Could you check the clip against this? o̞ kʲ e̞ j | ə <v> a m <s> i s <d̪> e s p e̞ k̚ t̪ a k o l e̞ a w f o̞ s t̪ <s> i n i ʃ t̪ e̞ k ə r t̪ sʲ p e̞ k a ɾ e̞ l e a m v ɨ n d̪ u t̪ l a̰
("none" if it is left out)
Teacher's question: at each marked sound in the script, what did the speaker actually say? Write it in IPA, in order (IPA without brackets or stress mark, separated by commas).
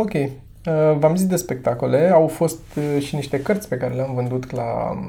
v, z, d̪, ʃ